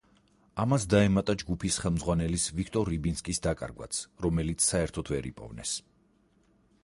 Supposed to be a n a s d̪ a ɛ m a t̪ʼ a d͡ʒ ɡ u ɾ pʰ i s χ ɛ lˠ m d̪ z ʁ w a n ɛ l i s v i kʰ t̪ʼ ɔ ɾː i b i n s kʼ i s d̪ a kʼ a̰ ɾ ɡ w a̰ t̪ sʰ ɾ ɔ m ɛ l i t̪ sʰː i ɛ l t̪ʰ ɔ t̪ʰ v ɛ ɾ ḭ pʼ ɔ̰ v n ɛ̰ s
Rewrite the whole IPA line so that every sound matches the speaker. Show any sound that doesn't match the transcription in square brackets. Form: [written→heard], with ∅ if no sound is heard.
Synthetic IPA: a [n→m] a s d̪ a ɛ m a t̪ʼ a d͡ʒ ɡ u [ɾ→∅] pʰ i s χ ɛ lˠ m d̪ z ʁ w a n ɛ l i s v i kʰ t̪ʼ ɔ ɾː i b i n s kʼ i s d̪ a kʼ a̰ ɾ ɡ w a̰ t̪ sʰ ɾ ɔ m ɛ l i t̪ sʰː [i→a] ɛ [l→ɾ] t̪ʰ ɔ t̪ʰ v ɛ ɾ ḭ pʼ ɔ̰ v n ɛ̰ s